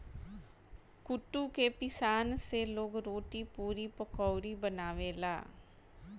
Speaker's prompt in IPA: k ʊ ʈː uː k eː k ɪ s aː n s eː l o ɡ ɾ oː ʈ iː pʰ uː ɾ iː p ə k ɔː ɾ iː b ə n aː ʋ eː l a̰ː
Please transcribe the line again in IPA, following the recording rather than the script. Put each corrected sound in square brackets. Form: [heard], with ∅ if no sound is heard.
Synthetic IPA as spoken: k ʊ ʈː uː k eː [p] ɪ s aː n s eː l o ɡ ɾ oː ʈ iː [p] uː ɾ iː p ə k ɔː ɾ iː b ə n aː ʋ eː l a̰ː